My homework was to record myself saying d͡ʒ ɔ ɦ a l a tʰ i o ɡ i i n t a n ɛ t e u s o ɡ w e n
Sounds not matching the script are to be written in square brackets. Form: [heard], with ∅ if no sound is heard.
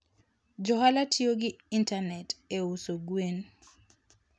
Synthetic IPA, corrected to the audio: d͡ʒ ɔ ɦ a l a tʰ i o ɡ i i n t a n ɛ t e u s o ɡ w e n